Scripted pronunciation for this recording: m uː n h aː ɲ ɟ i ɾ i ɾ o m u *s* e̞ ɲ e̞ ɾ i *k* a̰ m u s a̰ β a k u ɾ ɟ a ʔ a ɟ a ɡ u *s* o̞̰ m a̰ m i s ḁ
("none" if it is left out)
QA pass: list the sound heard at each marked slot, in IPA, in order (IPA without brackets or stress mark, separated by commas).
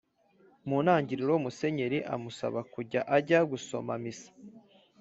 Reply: s, ʔ, s